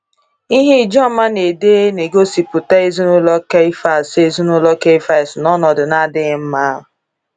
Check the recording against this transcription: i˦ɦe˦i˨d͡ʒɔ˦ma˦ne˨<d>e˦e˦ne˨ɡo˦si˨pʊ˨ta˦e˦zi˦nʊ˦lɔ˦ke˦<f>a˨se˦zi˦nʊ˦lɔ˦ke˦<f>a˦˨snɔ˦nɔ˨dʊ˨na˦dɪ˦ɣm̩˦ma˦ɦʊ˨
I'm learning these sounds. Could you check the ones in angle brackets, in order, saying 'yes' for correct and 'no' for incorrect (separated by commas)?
yes, yes, yes